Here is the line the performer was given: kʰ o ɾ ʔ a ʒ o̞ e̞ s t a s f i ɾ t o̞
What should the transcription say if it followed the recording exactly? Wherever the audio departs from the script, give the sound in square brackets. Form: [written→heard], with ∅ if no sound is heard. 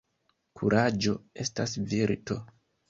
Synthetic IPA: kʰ [o→u] ɾ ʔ a [ʒ→d͡ʒ] o̞ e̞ s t a s [f→v] i ɾ t o̞